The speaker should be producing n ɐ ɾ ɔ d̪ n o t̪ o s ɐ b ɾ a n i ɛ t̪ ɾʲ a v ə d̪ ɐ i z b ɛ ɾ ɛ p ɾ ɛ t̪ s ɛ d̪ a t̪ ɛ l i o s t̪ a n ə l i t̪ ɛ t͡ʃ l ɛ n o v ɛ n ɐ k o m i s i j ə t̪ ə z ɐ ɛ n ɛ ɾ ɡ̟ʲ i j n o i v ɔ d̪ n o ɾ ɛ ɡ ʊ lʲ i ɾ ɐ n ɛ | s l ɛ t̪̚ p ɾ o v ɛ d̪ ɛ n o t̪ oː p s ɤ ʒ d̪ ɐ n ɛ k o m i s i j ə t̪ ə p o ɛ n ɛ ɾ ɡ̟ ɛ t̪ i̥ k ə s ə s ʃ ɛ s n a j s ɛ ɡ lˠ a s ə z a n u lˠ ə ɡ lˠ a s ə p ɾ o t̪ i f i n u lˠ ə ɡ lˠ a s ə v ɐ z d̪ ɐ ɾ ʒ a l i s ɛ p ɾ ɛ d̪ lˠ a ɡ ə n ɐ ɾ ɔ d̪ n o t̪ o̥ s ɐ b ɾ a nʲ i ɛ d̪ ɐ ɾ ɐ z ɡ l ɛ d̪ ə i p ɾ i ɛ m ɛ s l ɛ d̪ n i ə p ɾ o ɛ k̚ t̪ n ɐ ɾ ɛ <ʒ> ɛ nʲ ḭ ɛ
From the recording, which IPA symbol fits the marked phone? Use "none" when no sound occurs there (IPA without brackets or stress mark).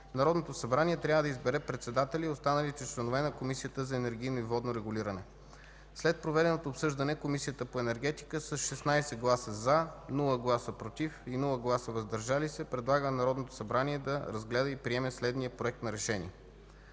ʃ